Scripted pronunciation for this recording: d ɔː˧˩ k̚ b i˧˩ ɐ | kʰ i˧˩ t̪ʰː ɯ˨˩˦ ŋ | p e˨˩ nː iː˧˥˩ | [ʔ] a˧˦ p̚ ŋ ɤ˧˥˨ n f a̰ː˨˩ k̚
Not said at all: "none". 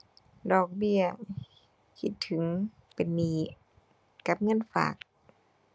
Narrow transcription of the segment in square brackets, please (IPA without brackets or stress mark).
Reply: k